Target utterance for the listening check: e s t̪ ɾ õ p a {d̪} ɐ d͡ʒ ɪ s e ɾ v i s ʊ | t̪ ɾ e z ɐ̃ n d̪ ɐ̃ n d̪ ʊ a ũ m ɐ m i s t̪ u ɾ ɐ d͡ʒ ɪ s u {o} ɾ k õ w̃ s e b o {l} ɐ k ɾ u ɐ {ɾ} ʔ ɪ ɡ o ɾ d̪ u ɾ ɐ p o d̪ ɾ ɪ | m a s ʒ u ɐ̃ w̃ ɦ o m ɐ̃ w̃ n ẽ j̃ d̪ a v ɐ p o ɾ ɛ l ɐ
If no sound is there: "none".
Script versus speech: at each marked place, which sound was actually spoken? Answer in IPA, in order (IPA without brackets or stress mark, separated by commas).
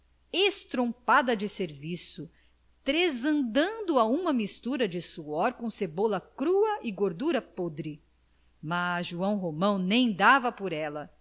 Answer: d̪, ɔ, l, none